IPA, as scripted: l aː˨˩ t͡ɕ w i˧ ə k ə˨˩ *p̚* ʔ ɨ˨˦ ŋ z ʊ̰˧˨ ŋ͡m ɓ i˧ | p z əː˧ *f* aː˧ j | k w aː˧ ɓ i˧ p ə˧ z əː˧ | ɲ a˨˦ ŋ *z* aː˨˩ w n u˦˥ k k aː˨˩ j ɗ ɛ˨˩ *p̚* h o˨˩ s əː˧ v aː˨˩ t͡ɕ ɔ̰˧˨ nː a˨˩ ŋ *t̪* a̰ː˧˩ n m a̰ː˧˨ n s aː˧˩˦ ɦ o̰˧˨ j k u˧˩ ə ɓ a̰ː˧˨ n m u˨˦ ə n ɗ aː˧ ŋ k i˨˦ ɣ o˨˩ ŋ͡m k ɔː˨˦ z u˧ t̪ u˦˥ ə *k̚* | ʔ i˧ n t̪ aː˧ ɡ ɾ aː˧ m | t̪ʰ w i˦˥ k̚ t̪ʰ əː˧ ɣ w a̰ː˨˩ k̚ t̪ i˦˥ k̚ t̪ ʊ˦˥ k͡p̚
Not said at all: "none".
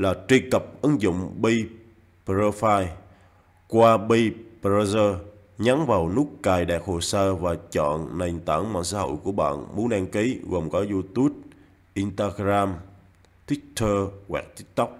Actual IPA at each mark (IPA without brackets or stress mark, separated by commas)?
p̚, f, v, k̚, t̪, p̚